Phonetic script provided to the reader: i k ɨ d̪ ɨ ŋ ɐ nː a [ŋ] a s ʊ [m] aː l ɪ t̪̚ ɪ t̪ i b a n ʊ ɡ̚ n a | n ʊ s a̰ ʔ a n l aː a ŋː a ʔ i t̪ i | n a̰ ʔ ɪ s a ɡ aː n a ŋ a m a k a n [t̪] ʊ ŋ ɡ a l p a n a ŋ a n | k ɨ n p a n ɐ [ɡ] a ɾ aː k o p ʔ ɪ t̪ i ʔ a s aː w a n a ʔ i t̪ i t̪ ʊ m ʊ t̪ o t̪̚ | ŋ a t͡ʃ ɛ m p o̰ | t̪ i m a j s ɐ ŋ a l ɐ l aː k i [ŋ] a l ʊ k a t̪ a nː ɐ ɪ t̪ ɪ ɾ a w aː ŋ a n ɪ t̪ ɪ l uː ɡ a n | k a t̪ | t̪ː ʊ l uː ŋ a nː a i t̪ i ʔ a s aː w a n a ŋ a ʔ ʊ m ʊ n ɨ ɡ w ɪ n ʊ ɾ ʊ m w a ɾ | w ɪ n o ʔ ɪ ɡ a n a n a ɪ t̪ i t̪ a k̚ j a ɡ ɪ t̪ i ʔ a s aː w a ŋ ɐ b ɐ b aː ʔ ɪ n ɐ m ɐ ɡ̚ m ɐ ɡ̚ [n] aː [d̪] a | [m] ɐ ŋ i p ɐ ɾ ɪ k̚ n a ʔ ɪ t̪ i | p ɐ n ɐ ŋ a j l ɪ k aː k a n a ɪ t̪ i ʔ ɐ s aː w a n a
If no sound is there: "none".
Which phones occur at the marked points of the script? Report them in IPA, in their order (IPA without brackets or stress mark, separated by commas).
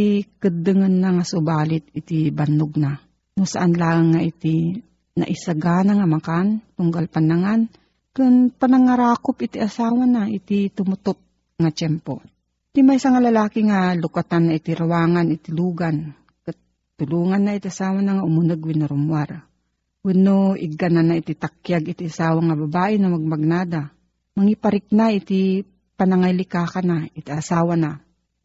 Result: ŋ, b, t̪, ŋ, ŋ, n, d̪, m